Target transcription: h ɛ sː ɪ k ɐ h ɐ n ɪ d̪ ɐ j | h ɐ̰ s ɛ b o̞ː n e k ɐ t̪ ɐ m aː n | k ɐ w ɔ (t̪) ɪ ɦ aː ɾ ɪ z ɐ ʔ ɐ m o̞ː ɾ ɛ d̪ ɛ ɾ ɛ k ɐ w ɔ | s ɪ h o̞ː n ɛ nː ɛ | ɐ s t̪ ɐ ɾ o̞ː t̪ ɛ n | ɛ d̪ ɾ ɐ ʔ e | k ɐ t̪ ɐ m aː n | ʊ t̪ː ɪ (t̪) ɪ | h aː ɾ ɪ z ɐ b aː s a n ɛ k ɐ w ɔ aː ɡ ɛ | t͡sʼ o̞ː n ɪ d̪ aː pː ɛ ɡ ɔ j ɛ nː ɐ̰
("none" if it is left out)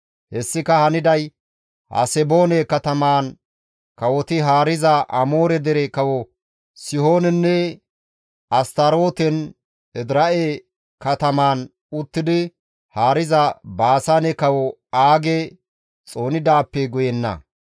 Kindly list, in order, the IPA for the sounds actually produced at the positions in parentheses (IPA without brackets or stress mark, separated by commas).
t̪, d̪